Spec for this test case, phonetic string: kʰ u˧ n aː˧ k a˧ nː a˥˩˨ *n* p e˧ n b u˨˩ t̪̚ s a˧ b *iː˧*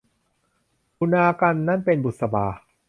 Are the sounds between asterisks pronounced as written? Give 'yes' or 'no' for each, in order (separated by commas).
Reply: yes, no